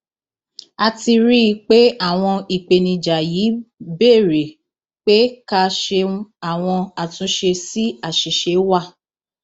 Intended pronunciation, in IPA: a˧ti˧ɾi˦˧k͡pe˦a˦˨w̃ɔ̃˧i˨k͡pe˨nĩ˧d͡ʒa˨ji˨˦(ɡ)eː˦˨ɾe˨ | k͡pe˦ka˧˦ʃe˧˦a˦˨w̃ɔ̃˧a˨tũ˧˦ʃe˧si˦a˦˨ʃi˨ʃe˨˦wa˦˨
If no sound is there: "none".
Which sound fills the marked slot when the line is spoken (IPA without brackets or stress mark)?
b